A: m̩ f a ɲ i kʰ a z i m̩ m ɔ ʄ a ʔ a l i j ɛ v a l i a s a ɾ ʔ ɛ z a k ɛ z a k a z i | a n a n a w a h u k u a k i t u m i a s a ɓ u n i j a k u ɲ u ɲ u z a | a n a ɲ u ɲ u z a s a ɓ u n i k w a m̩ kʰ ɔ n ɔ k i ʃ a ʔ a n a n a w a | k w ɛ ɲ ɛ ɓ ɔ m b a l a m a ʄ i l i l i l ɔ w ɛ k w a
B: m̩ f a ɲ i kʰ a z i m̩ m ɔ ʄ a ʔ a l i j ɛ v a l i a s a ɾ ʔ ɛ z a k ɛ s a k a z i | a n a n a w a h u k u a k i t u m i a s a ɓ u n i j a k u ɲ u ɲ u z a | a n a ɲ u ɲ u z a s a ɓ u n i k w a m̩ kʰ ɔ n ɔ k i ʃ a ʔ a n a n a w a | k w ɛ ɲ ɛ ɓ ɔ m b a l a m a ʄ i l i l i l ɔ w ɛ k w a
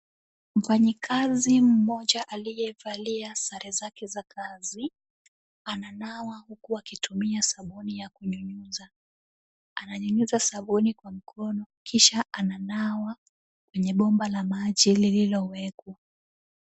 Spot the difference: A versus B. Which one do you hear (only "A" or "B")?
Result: A